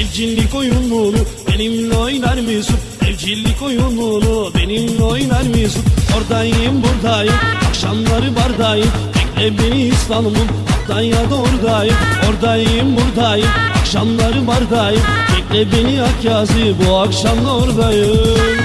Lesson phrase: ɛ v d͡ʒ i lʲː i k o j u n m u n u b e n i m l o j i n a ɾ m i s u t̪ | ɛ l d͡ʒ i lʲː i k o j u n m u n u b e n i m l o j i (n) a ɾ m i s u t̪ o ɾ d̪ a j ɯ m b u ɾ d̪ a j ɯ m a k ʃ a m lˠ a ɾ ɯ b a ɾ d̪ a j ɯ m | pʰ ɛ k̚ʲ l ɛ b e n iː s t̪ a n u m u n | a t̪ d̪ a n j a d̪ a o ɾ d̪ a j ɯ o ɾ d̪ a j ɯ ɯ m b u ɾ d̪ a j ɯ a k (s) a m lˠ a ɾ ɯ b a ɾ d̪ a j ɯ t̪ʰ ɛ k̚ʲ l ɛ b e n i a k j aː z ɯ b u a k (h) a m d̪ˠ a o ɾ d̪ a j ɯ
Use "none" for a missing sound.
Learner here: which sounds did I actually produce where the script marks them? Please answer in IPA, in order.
n, ʃ, ʃ

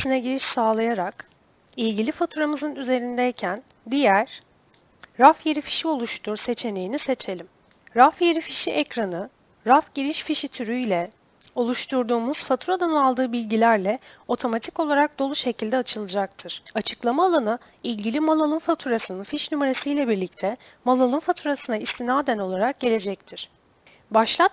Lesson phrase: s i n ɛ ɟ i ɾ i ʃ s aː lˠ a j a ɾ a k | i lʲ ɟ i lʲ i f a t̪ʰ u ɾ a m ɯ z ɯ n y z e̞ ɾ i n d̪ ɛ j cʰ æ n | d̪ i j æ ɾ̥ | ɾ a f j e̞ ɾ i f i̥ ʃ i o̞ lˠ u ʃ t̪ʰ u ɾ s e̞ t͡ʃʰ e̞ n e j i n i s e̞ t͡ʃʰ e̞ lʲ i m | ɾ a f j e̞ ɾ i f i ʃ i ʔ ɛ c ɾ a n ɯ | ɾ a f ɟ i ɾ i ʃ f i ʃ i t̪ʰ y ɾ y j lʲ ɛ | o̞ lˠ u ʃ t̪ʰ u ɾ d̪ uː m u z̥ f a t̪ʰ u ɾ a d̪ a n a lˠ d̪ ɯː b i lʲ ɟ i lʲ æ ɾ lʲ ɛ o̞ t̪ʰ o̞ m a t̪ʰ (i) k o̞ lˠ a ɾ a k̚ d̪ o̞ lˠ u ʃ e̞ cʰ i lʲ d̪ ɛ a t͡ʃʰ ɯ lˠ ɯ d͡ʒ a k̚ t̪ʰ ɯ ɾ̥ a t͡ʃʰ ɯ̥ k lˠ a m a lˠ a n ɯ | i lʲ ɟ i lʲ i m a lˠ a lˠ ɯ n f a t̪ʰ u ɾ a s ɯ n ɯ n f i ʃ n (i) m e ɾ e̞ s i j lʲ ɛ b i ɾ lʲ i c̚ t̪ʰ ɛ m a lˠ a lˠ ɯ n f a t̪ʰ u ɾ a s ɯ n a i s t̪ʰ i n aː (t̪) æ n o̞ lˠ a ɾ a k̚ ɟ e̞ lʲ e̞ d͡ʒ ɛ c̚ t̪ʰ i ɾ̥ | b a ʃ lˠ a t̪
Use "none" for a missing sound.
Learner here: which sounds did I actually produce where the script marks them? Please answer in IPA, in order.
i, y, d̪

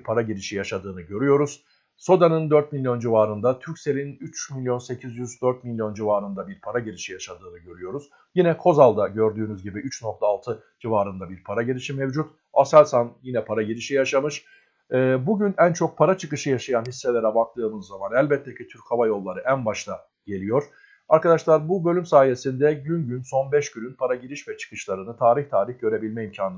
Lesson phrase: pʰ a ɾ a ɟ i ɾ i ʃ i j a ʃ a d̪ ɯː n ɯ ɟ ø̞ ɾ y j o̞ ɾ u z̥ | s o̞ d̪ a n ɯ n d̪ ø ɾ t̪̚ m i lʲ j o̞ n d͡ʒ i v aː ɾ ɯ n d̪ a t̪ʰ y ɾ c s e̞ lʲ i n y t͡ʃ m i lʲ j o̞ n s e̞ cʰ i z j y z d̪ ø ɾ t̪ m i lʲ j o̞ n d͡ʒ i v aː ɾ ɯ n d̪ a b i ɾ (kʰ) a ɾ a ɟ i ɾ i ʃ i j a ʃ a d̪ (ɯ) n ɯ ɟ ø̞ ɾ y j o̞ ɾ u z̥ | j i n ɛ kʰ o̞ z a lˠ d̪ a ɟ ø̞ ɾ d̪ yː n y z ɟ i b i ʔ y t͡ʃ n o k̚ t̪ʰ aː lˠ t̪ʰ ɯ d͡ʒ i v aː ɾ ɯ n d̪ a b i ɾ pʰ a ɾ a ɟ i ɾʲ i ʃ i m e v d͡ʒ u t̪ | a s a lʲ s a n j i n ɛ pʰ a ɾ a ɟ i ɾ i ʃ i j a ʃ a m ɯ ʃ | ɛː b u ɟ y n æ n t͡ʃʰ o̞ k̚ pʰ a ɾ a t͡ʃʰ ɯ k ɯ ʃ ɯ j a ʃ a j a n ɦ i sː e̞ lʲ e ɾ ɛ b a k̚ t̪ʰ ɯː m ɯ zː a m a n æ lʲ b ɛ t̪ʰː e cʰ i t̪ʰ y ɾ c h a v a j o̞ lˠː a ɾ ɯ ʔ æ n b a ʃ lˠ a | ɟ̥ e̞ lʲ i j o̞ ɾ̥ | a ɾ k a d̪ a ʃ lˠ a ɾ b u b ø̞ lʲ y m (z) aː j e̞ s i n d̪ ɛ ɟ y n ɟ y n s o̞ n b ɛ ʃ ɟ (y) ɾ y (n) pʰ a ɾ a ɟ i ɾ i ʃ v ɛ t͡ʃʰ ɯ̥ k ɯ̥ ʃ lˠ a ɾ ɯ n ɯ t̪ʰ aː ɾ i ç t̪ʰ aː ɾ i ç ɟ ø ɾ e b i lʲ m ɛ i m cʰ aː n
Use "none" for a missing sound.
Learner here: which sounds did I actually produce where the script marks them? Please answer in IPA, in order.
pʰ, ɯː, s, y, n

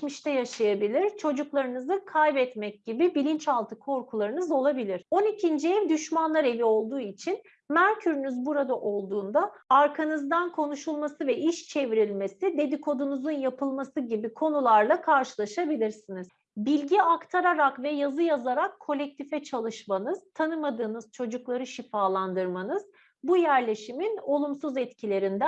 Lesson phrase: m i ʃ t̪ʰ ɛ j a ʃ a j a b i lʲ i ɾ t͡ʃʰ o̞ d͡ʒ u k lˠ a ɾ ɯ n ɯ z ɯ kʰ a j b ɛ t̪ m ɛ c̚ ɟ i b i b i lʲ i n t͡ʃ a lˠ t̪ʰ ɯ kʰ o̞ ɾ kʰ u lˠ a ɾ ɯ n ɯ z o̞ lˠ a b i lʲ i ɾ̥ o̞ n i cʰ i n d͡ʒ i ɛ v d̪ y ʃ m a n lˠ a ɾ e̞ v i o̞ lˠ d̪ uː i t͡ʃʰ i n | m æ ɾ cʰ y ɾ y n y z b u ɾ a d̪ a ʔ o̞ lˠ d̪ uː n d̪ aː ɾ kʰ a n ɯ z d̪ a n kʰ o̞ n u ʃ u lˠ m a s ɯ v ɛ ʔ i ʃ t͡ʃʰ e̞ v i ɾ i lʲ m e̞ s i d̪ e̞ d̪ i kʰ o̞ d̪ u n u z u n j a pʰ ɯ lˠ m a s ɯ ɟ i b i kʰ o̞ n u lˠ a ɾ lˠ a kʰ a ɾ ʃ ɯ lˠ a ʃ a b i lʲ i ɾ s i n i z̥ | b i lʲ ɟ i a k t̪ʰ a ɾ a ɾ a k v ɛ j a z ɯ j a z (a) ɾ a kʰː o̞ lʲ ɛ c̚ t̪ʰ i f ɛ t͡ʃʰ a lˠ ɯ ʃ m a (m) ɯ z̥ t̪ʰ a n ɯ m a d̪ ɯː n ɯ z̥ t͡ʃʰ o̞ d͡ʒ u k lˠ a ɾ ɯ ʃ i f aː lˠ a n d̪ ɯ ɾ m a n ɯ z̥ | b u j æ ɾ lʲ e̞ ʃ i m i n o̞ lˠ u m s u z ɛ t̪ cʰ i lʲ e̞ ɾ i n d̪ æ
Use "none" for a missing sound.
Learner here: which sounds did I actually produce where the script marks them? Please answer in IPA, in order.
a, n

